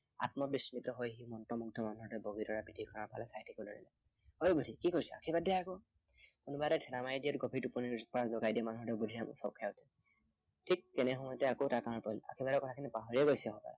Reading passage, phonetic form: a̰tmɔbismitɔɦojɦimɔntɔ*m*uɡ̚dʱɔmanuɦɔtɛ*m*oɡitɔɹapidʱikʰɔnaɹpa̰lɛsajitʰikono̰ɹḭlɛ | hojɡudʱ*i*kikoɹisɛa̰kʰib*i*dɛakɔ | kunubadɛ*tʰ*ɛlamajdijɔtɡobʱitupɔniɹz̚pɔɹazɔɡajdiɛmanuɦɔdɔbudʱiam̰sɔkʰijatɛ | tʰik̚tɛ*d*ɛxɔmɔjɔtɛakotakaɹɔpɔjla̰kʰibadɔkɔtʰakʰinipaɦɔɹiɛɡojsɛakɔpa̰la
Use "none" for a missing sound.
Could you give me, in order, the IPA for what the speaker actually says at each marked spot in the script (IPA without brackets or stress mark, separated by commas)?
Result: m, b, i, a, tʰ, n